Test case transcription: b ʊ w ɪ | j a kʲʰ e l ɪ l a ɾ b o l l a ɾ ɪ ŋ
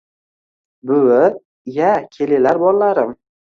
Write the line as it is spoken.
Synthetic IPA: b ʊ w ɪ | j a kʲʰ e l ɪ l a ɾ b ɒ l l a ɾ ɪ m

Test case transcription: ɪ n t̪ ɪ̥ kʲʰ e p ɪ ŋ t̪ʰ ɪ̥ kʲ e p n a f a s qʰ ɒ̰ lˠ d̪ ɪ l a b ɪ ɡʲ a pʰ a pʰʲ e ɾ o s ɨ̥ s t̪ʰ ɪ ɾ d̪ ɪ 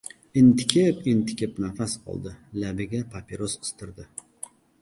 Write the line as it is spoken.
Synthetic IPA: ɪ n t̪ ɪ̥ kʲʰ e p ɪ n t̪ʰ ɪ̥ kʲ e p n a f a s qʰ ɒ̰ lˠ d̪ ɪ l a b ɪ ɡʲ a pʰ a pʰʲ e ɾ o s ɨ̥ s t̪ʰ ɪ ɾ d̪ ɪ

